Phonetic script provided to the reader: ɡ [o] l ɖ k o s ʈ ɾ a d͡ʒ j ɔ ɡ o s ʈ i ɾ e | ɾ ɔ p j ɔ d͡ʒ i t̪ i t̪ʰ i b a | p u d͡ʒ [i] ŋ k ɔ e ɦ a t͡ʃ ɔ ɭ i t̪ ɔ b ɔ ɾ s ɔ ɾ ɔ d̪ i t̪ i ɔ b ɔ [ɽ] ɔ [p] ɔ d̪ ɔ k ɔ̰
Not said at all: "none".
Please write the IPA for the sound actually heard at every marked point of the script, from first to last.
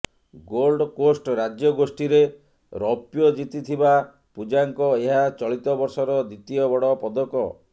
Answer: o, a, ɽ, p

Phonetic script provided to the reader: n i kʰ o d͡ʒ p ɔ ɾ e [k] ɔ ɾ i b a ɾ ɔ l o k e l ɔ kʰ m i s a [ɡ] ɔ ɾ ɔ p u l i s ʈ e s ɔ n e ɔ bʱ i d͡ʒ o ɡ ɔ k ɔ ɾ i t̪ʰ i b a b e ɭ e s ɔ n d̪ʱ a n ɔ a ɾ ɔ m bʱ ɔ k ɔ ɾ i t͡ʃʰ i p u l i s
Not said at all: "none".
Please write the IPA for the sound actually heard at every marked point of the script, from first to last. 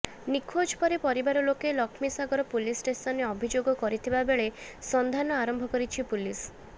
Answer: p, ɡ

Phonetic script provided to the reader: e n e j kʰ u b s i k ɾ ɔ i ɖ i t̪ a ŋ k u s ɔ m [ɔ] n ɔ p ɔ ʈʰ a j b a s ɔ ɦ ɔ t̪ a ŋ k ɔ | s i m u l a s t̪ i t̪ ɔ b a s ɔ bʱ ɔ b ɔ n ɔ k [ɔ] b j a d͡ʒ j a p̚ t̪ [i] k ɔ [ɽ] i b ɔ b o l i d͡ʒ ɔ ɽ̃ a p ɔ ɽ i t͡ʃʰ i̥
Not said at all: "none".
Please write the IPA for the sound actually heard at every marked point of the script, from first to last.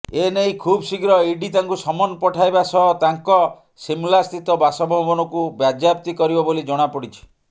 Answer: ɔ, u, i, ɾ

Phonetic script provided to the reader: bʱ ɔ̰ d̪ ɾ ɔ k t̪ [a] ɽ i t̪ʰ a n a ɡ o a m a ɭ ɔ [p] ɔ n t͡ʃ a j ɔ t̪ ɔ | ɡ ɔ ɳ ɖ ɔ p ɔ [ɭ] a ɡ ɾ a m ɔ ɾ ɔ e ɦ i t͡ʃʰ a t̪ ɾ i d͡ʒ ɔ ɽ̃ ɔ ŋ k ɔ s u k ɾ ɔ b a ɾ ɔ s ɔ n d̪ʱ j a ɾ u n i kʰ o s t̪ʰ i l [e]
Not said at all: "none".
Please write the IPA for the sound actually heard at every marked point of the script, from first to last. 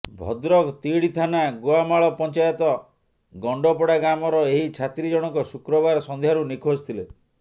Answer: i, p, ɽ, e

